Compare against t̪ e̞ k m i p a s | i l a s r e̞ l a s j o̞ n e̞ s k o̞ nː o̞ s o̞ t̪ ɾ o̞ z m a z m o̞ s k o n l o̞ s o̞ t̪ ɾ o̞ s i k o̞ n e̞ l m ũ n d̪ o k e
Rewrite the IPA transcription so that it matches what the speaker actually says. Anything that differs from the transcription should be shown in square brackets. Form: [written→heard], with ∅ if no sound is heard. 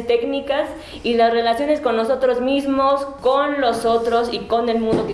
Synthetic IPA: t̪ e̞ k [m→n] i [p→k] a s | i l a s r e̞ l a s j o̞ n e̞ s k o̞ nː o̞ s o̞ t̪ ɾ o̞ z m [a→i] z m o̞ s k o n l o̞ s o̞ t̪ ɾ o̞ s i k o̞ n e̞ l m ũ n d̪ o k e

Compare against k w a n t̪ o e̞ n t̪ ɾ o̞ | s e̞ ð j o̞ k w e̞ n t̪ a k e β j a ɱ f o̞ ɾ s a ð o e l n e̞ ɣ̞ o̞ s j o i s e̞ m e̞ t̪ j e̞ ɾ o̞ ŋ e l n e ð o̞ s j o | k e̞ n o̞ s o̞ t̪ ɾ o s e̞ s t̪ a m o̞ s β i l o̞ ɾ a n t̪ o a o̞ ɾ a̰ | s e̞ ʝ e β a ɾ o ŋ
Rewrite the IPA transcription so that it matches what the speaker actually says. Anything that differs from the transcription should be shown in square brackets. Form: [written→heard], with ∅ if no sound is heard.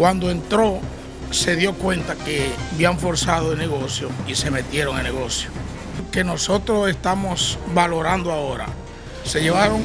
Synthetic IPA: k w a n [t̪→d̪] o e̞ n t̪ ɾ o̞ | s e̞ ð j o̞ k w e̞ n t̪ a k e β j a ɱ f o̞ ɾ s a ð o e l n e̞ ɣ̞ o̞ s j o i s e̞ m e̞ t̪ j e̞ ɾ o̞ ŋ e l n e [ð→ɣ] o̞ s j o | k e̞ n o̞ s o̞ t̪ ɾ o s e̞ s t̪ a m o̞ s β [i→a] l o̞ ɾ a n [t̪→d̪] o a o̞ ɾ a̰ | s e̞ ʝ e β a ɾ o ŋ

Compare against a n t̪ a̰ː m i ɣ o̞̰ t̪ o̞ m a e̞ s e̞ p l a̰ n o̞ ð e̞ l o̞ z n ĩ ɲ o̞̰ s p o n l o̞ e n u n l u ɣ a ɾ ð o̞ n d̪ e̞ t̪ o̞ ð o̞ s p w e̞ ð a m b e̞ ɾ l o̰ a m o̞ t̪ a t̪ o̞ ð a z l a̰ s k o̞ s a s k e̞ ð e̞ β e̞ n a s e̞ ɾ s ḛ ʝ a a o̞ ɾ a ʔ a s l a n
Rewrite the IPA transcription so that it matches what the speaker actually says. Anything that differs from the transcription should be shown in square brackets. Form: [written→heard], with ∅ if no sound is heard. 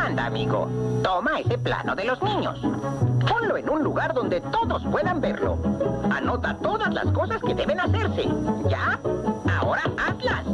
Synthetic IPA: a n [t̪→d̪] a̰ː m i ɣ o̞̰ t̪ o̞ m a e̞ s e̞ p l a̰ n o̞ ð e̞ l o̞ z n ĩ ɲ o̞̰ s p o n l o̞ e n u n l u ɣ a ɾ ð o̞ n d̪ e̞ t̪ o̞ ð o̞ s p w e̞ ð a m b e̞ ɾ l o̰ a [m→n] o̞ t̪ a t̪ o̞ ð a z l a̰ s k o̞ s a s k e̞ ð e̞ β e̞ n a s e̞ ɾ s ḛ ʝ a a o̞ ɾ a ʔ a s l a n

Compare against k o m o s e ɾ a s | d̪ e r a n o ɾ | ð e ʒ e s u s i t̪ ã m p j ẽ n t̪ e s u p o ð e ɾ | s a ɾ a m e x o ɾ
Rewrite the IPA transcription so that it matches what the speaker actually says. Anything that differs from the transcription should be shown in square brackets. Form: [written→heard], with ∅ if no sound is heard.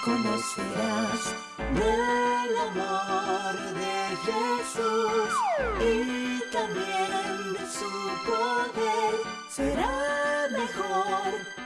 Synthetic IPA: k o m o s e ɾ a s | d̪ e [r→l] a [n→m] o ɾ | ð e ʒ e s u s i t̪ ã m [p→b] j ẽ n [t̪→d̪] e s u p o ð e ɾ | s [a→e] ɾ a m e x o ɾ

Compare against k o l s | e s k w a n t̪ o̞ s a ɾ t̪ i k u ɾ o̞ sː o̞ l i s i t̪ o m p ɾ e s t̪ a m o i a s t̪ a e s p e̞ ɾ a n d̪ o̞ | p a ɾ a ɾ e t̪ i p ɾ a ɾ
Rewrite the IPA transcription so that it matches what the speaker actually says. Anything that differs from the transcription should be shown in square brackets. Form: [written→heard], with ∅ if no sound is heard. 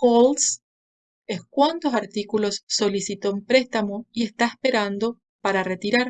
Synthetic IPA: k o l s | e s k w a n t̪ o̞ s a ɾ t̪ i k u [ɾ→l] o̞ sː o̞ l i s i t̪ o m p ɾ e s t̪ a m o i [a→e] s t̪ a e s p e̞ ɾ a n d̪ o̞ | p a ɾ a [ɾ→r] e t̪ i [p→∅] ɾ a ɾ

